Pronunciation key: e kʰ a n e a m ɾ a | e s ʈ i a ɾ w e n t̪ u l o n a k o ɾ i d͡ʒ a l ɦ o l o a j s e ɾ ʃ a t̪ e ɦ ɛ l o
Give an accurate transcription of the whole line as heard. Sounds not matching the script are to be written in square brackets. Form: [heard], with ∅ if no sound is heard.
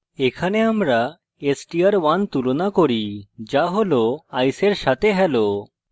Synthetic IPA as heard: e kʰ a n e a m ɾ a | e s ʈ i a ɾ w [a] n t̪ u l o n a k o ɾ i d͡ʒ a [∅] ɦ o l o a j s e ɾ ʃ a t̪ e ɦ ɛ l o